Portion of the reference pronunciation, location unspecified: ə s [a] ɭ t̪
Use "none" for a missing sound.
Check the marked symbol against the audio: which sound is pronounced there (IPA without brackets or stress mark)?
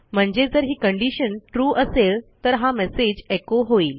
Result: e